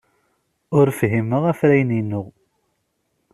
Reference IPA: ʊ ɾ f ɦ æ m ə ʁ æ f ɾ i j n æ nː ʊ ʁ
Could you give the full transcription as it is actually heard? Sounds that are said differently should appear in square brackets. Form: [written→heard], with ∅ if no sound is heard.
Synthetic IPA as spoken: ʊ ɾ f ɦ [æ→i] m ə ʁ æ f ɾ [i→æ] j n [æ→i] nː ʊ ʁ